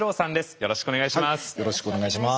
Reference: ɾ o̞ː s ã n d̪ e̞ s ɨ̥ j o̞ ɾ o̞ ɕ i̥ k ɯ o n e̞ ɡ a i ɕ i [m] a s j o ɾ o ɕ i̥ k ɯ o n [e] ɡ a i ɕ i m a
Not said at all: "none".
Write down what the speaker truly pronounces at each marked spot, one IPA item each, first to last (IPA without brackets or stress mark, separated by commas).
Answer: m, e